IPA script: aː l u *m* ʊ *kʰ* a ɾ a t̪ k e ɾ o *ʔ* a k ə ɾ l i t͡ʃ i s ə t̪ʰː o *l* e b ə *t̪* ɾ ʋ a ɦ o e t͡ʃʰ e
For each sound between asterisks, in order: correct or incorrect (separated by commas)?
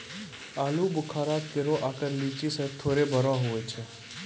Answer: incorrect, correct, correct, incorrect, incorrect